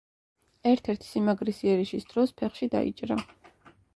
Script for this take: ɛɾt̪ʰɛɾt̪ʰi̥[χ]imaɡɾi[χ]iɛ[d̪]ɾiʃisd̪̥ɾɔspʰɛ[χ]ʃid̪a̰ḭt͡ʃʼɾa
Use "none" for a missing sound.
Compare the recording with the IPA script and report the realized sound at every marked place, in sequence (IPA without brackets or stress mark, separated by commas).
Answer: s, s, none, χ